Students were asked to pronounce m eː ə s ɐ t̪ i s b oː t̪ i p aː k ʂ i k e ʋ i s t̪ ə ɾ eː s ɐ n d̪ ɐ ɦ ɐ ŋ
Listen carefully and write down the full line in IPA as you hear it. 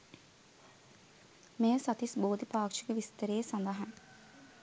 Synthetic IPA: m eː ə s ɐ t̪ i s b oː d̪ i p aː k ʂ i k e ʋ i s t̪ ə ɾ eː s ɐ n d̪ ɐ ɦ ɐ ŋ